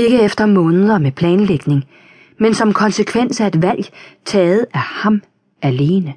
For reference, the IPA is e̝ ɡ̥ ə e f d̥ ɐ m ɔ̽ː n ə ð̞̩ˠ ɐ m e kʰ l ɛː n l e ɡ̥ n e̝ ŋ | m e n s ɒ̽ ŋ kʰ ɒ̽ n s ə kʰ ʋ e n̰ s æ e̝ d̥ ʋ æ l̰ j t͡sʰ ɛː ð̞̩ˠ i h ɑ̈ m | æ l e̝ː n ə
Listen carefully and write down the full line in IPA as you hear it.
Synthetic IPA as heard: e̝ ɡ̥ ə e f d̥ ɐ m ɔ̽ː n ə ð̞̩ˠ ɐ m e pʰ l ɛː n l e ɡ̥ n e̝ ŋ | m e n s ɒ̽ m kʰ ɒ̽ n s ə kʰ ʋ e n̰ s æ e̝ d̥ ʋ æ l̰ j t͡sʰ ɛː ð̞̩ˠ æ h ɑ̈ m | æ l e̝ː n ə